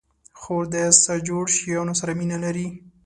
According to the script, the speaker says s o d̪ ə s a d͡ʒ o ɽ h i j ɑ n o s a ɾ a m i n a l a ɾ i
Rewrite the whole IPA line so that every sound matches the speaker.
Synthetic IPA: x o d̪ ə s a d͡ʒ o ɽ ʃ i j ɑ n o s a ɾ a m i n a l a ɾ i